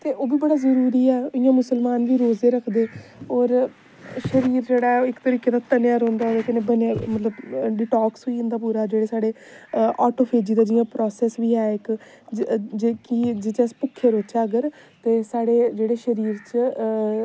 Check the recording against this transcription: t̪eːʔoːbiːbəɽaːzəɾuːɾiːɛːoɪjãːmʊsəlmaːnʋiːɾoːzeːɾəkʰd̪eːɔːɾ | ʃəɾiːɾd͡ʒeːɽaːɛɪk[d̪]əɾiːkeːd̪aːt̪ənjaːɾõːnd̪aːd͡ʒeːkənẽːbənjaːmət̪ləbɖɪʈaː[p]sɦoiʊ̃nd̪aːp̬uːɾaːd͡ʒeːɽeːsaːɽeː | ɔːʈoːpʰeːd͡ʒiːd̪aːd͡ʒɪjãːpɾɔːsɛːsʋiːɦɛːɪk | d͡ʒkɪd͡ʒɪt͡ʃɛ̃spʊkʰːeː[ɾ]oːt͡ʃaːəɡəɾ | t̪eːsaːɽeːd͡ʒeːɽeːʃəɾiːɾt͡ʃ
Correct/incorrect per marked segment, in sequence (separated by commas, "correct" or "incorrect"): incorrect, incorrect, correct